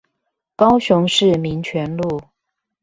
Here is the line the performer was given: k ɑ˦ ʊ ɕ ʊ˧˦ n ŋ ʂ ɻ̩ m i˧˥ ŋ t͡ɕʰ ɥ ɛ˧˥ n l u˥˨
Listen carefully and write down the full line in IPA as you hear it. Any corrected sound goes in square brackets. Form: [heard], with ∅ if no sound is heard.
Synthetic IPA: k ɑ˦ ʊ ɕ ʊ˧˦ [∅] ŋ ʂ ɻ̩ m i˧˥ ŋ t͡ɕʰ ɥ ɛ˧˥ n l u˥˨

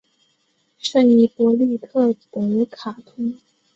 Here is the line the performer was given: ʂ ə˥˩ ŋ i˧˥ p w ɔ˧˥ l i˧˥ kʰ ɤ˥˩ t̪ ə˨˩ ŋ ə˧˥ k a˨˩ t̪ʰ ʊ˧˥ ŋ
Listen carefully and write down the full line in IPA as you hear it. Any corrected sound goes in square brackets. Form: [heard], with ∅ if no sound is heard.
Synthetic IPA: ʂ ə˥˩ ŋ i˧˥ p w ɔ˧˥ l [i˥˧] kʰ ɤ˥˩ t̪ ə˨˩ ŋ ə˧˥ [kʰ] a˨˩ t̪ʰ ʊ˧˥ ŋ

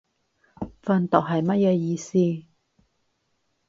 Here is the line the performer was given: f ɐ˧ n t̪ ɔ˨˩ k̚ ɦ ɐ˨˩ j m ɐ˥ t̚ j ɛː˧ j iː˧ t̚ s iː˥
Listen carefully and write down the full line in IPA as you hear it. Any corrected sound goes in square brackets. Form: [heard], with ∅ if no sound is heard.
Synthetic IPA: f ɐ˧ n t̪ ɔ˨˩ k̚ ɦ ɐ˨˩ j m ɐ˥ t̚ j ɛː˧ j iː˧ [∅] s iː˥

